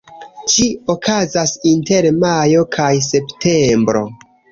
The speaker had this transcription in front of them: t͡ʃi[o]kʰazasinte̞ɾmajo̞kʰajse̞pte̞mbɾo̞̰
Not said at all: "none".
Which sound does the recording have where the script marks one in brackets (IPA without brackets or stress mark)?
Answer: o